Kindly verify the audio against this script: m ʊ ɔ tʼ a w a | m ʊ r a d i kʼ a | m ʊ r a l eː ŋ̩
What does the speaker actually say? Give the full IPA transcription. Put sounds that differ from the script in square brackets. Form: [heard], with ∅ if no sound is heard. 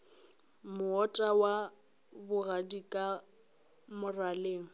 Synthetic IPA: m ʊ ɔ tʼ a w a | [b] ʊ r a d i kʼ a | m ʊ r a l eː ŋ̩